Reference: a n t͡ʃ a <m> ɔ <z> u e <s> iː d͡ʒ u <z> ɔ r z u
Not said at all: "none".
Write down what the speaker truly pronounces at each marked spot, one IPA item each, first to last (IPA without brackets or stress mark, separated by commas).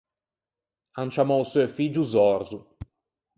m, s, f, z